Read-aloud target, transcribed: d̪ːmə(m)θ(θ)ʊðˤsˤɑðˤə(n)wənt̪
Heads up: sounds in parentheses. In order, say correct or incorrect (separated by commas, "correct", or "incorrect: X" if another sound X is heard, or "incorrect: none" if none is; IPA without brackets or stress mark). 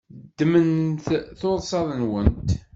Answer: incorrect: n, correct, correct